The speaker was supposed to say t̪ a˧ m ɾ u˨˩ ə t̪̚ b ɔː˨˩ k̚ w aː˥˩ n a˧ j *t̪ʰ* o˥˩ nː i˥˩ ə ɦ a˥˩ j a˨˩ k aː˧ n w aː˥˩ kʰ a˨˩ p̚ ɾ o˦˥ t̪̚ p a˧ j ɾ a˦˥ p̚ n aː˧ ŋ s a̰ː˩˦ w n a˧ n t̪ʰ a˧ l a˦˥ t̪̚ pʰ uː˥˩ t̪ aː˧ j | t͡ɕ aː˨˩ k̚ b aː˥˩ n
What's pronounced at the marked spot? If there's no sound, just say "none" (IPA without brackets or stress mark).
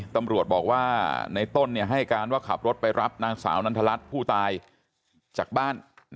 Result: t̪